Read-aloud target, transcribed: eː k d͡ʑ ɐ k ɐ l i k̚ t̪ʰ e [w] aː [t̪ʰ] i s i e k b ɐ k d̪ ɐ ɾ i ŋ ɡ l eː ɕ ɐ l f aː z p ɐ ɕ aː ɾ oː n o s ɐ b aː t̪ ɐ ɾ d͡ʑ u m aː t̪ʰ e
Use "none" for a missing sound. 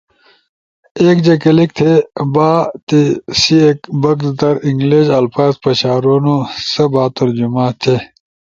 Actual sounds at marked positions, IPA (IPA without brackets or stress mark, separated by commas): b, t̪